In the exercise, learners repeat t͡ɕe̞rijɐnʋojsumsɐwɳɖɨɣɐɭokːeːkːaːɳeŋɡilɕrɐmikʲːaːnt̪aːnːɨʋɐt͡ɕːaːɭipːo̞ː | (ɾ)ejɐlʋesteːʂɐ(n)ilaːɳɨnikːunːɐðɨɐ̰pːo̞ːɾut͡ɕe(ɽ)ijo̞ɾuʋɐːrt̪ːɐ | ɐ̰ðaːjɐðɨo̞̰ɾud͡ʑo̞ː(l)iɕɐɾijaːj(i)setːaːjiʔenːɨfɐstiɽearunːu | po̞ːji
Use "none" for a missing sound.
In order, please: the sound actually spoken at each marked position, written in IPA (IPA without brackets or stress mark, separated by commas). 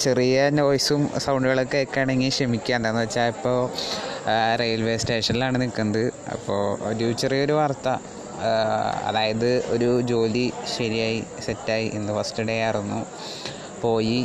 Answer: r, n, r, l, i